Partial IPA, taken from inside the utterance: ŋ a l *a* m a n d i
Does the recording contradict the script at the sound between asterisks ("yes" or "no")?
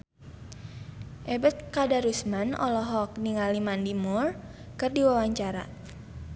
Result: yes